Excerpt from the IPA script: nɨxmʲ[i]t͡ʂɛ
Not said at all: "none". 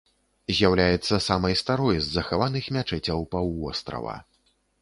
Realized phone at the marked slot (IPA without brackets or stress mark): a